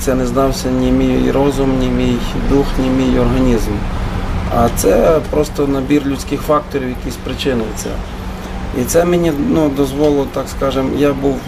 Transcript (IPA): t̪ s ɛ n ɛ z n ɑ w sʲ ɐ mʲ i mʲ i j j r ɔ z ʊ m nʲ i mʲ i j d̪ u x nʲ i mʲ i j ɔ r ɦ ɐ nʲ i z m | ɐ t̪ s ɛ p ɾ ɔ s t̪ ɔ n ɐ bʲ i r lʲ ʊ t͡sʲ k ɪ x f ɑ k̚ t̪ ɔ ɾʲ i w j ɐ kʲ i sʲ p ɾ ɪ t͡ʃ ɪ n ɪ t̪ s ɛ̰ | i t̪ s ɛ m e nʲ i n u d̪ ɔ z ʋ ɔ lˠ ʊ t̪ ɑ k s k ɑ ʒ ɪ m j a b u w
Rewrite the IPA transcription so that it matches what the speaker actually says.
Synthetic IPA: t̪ s ɛ n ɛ z n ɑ w sʲ ɐ nʲ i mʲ i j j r ɔ z ʊ m nʲ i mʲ i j d̪ u x nʲ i mʲ i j ɔ r ɦ ɐ nʲ i z m | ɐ t̪ s ɛ p ɾ ɔ s t̪ ɔ n ɐ bʲ i r lʲ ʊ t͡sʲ k ɪ x f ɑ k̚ t̪ ɔ ɾʲ i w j ɐ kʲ i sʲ p ɾ ɪ t͡ʃ ɪ n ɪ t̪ s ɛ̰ | i t̪ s ɛ m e nʲ i n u d̪ ɔ z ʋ ɔ lˠ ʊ t̪ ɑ k s k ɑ ʒ ɪ m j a b u w